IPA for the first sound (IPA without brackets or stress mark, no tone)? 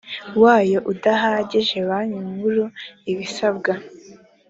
w